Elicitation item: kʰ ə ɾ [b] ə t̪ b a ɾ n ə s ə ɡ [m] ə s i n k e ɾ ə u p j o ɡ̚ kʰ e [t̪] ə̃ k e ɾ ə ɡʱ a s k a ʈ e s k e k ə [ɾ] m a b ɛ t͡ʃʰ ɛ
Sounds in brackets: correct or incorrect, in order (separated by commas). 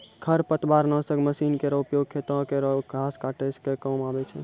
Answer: incorrect, correct, correct, incorrect